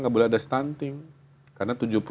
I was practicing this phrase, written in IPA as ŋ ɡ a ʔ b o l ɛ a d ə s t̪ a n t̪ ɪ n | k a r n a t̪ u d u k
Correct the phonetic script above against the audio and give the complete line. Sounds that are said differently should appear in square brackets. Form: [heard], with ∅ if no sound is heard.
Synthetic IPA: ŋ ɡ a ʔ b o l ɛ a d [a] s t̪ a n t̪ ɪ [ŋ] | k a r n a t̪ u [d͡ʒ] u [p]